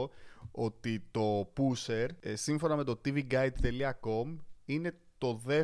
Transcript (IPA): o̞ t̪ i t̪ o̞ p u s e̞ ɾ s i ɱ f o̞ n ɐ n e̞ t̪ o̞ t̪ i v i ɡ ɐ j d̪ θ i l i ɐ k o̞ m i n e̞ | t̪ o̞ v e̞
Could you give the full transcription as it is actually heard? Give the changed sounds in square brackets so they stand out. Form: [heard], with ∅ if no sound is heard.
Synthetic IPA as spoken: o̞ t̪ i t̪ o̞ p u s e̞ ɾ s i ɱ f o̞ n ɐ [m] e̞ t̪ o̞ t̪ i v i ɡ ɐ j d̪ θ [e] l i ɐ k o̞ m i n e̞ | t̪ o̞ [ð] e̞